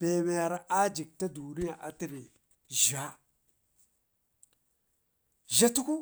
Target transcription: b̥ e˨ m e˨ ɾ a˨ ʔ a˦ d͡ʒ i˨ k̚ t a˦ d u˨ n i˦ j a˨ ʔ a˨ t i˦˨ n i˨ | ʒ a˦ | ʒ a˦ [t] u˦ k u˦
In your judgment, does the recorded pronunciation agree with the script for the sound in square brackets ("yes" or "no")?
yes